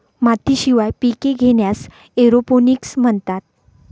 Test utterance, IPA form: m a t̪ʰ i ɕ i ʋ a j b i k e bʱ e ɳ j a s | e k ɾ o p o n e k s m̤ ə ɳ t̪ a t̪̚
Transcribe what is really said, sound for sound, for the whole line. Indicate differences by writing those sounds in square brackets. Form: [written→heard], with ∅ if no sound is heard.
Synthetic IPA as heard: m a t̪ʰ i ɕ i ʋ a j [b→p] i k e [bʱ→ɡʱ] e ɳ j a s | e [k→∅] ɾ o p o n [e→i] k s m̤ ə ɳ t̪ a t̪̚

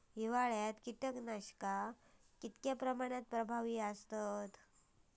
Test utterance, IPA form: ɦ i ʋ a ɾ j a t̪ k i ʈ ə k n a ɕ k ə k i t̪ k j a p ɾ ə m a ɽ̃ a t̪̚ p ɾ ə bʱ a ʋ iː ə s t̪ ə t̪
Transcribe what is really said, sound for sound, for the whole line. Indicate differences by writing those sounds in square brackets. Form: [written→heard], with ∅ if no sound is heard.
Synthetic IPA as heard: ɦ i ʋ a [ɾ→ɭ] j a t̪ k i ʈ ə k n a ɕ k [ə→a] k i t̪ k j a p ɾ ə m a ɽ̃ a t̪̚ p ɾ ə bʱ a ʋ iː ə s t̪ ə t̪

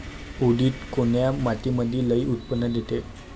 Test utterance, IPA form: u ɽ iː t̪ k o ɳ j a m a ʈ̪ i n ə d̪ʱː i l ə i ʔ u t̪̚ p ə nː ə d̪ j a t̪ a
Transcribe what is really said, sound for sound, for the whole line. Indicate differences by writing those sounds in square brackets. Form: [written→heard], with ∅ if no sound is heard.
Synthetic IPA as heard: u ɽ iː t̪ k o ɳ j a m a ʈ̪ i [n→m] ə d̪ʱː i l ə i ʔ u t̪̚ p ə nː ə d̪ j [a→e] t̪ [a→e]

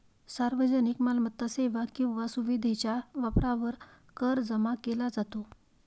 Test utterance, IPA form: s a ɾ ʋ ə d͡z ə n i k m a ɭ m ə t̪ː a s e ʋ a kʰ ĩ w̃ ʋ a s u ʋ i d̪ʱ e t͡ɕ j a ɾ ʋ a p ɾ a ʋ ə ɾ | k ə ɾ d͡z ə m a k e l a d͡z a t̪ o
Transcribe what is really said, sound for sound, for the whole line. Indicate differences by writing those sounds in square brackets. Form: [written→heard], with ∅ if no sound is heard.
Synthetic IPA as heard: s a ɾ ʋ ə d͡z ə n i k m a [ɭ→l] m ə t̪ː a s e ʋ a [kʰ→k] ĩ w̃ ʋ a s u ʋ i d̪ʱ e t͡ɕ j a [ɾ→∅] ʋ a p ɾ a ʋ ə ɾ | k ə ɾ d͡z ə m a k e l a d͡z a t̪ o

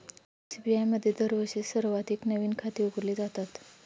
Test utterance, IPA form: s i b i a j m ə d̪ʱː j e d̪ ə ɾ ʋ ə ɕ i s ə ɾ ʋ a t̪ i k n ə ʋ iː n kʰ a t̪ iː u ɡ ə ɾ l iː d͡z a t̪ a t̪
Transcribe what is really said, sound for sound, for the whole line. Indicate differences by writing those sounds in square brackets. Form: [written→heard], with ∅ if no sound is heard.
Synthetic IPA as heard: s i b i a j m ə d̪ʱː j e d̪ ə ɾ ʋ ə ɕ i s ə ɾ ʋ a t̪ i k n ə ʋ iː n kʰ a t̪ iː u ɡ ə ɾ l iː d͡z a t̪ a t̪

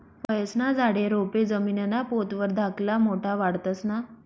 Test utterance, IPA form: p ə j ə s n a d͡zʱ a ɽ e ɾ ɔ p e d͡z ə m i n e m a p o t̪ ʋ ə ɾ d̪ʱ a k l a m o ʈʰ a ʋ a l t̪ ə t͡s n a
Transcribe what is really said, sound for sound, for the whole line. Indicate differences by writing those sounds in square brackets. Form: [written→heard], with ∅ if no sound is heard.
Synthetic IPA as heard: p ə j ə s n a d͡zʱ a ɽ e ɾ [ɔ→o] p e d͡z ə m i n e [m→n] a p o t̪ ʋ ə ɾ d̪ʱ a k l a m o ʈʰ a ʋ a [l→ɽ] t̪ ə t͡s n a

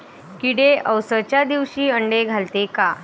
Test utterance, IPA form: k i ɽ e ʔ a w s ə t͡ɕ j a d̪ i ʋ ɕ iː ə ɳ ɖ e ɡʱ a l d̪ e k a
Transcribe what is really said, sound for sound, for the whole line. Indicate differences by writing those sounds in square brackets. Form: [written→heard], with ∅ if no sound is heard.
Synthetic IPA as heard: k i ɽ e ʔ [a→ə] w s ə t͡ɕ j a d̪ i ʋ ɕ iː ə ɳ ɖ e ɡʱ a l [d̪→t̪] e k a

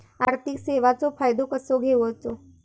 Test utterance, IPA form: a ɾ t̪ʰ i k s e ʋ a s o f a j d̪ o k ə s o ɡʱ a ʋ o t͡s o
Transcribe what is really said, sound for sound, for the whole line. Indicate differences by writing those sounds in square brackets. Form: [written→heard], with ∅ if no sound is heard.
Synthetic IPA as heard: a ɾ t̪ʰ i k s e ʋ a [s→t͡s] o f a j d̪ o k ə s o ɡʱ [a→e] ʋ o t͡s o

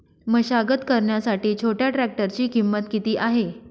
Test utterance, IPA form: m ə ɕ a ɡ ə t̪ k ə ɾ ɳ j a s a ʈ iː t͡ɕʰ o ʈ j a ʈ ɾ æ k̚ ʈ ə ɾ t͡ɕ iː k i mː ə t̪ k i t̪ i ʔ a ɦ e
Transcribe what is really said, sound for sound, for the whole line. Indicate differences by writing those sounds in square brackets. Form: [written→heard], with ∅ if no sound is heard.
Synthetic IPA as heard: m ə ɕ a ɡ ə t̪ k ə ɾ ɳ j a s a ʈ iː t͡ɕʰ o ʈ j a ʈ ɾ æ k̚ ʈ ə ɾ t͡ɕ iː k i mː ə t̪ k i t̪ [i→iː] ʔ a ɦ e

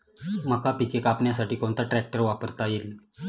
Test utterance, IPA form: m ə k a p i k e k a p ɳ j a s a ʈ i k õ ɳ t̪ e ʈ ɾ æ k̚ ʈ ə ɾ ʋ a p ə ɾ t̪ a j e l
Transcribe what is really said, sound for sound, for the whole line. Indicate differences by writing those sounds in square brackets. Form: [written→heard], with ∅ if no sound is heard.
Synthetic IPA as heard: m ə k a p i k e k a p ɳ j a s a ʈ [i→iː] k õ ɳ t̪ [e→a] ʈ ɾ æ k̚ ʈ ə ɾ ʋ a p ə ɾ t̪ a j e l

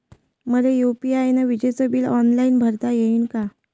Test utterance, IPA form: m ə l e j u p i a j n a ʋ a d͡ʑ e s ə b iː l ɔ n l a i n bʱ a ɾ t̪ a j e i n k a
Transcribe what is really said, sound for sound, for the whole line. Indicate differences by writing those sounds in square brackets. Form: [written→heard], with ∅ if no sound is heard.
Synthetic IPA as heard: m ə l e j u p i a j n a ʋ [a→i] d͡ʑ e s ə b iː l ɔ n l a i n bʱ [a→ə] ɾ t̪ a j e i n k a

